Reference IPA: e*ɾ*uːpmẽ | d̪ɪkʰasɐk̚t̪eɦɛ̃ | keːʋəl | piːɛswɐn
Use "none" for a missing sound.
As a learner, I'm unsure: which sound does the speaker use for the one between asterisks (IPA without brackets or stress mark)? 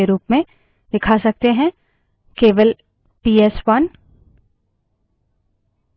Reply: ɾ